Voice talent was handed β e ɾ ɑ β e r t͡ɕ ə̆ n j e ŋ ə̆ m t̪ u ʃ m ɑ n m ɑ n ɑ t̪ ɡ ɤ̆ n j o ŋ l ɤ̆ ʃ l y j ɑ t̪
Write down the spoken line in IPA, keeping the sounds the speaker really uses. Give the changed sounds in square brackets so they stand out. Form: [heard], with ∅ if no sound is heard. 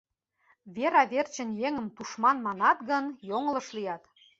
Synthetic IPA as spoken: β e ɾ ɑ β e r t͡ɕ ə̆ n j e ŋ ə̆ m t̪ u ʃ m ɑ n m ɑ n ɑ t̪ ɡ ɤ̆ n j o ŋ l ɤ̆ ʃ l [i] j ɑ t̪